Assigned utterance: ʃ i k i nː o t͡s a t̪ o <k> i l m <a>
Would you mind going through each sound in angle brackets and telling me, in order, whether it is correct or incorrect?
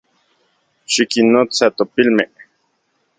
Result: incorrect, incorrect

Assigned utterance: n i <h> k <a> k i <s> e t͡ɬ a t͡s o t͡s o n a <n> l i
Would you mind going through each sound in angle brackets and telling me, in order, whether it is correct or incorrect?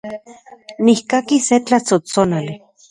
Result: correct, correct, correct, incorrect

